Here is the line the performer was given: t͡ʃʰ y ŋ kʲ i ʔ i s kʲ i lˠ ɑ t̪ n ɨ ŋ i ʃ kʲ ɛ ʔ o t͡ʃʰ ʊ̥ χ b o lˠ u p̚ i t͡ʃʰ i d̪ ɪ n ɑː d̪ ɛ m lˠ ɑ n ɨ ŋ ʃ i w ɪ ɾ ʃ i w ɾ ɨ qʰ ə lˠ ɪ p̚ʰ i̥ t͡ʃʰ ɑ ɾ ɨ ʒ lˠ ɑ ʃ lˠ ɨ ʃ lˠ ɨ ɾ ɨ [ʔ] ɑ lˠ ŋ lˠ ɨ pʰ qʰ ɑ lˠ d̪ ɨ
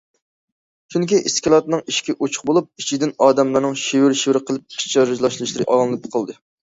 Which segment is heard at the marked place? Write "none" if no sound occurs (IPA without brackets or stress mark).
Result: ʔ